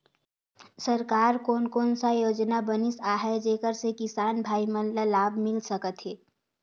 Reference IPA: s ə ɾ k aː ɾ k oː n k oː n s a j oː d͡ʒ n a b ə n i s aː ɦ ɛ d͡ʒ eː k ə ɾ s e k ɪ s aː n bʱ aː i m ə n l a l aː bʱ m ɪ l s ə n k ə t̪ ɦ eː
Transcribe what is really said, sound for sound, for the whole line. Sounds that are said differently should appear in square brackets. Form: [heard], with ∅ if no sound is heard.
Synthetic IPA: s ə ɾ k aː ɾ k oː n k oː n s a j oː d͡ʒ n a b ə n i s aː ɦ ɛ d͡ʒ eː k ə ɾ s e k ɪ s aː n bʱ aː i m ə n l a l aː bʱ m ɪ l s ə [∅] k ə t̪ ɦ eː